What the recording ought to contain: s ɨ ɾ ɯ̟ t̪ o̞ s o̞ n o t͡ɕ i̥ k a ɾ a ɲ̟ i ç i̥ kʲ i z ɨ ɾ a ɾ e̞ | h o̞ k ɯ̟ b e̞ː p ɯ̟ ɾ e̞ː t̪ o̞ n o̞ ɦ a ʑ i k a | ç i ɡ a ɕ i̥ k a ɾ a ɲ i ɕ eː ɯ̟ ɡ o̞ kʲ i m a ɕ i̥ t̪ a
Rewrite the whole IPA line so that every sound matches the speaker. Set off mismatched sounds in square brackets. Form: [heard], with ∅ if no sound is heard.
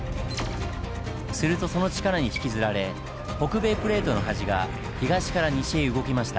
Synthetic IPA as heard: s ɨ ɾ ɯ̟ t̪ o̞ s o̞ n o t͡ɕ i̥ k a ɾ a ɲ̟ i ç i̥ kʲ i z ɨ ɾ a ɾ e̞ | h o̞ k ɯ̟ b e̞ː p ɯ̟ ɾ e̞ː t̪ o̞ n o̞ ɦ a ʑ i [ɡ] a | ç i ɡ a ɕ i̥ k a ɾ a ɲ i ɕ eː ɯ̟ ɡ o̞ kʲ i m a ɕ i̥ t̪ a